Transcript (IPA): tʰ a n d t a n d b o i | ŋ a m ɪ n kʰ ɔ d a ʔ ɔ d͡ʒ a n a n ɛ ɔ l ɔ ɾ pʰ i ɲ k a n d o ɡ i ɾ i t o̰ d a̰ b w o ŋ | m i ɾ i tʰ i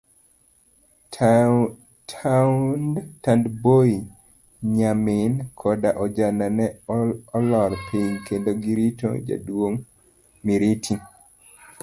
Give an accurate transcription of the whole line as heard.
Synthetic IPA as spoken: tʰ a n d t a n d b o i | ɲ a m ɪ n kʰ ɔ d a ʔ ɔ d͡ʒ a n a n ɛ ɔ l ɔ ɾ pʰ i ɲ k e n d o ɡ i ɾ i t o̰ d͡ʒ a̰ d w o ŋ | m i ɾ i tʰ i